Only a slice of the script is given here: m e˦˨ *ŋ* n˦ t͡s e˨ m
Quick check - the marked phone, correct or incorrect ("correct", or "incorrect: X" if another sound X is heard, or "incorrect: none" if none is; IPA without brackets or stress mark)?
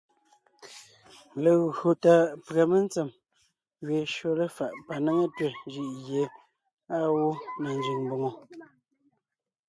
incorrect: none